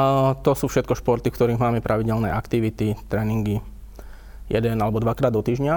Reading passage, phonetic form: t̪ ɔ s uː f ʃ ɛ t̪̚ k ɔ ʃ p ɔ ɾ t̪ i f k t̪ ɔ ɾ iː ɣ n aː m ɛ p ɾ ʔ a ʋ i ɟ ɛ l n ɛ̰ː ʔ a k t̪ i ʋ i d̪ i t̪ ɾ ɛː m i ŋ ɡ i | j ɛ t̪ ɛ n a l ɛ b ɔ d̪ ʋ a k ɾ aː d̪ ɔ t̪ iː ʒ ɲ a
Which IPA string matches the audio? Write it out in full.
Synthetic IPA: t̪ ɔ s uː f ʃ ɛ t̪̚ k ɔ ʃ p ɔ ɾ t̪ i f k t̪ ɔ ɾ iː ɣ m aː m ɛ p ɾ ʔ a ʋ i ɟ ɛ l n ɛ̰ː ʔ a k t̪ i ʋ i t̪ i t̪ ɾ ɛː n i ŋ ɡ i | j ɛ d̪ ɛ n a l ɛ b ɔ d̪ ʋ a k ɾ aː d̪ ɔ t̪ iː ʒ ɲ a